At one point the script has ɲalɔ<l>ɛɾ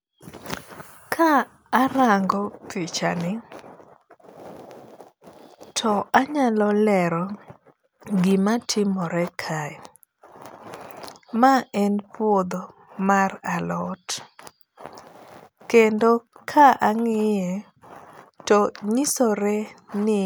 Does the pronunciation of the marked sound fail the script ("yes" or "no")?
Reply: no